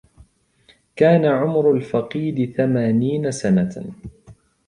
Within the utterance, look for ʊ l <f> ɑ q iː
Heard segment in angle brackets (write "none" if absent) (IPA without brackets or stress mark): f